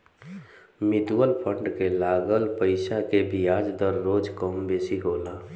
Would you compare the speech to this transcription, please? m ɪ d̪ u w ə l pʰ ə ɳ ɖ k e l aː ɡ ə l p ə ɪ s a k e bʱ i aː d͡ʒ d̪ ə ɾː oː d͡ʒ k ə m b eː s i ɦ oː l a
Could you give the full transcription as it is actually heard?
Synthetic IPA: m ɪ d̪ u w ə l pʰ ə ɳ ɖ k e l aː ɡ ə l p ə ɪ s a k e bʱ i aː d͡ʒ d̪ ə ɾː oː d͡ʒ k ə m b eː s i ɦ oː l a